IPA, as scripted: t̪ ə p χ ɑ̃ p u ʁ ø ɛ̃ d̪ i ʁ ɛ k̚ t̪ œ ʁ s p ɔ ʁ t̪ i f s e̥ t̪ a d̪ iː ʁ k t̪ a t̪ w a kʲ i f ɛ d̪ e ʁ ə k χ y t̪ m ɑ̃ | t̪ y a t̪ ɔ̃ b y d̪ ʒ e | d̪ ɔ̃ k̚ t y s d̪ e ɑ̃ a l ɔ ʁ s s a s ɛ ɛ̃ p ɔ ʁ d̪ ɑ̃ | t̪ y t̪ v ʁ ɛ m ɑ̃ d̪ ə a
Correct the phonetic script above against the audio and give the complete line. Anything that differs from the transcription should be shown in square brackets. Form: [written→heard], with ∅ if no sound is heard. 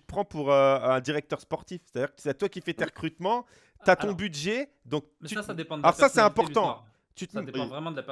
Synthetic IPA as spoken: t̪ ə p χ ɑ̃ p u ʁ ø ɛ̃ d̪ i ʁ ɛ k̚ t̪ œ ʁ s p ɔ ʁ t̪ i f s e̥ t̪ a d̪ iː ʁ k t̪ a t̪ w a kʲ i f ɛ [d̪→t̪] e ʁ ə k χ y t̪ m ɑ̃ | t̪ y a t̪ ɔ̃ b y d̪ ʒ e | d̪ ɔ̃ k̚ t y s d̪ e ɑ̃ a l ɔ ʁ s s a s ɛ ɛ̃ p ɔ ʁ [d̪→t̪] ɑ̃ | t̪ y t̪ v ʁ ɛ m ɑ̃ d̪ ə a